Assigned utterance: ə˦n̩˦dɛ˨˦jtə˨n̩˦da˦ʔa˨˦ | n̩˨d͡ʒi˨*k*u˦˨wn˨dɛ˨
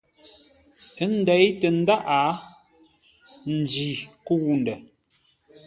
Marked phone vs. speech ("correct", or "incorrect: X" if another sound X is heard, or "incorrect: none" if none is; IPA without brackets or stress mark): correct